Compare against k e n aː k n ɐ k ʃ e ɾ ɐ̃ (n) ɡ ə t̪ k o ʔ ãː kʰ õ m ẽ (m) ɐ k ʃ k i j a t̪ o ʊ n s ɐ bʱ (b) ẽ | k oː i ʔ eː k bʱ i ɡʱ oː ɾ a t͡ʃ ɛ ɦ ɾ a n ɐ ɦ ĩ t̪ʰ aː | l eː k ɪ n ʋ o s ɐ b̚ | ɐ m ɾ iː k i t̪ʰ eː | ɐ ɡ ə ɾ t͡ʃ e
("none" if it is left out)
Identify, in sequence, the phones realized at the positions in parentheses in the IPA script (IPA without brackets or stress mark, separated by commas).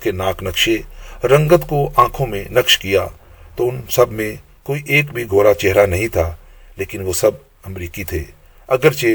ŋ, n, m